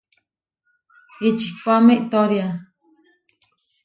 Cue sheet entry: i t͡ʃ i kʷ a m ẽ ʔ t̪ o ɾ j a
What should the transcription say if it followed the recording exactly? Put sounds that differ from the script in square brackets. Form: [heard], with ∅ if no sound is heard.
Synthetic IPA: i t͡ʃ i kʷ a m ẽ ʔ t̪ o ɾ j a